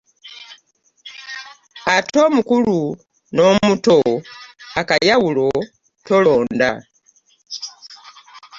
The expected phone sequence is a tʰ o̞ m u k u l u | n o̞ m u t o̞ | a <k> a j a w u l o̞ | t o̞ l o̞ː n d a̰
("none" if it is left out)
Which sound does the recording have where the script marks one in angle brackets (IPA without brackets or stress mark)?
k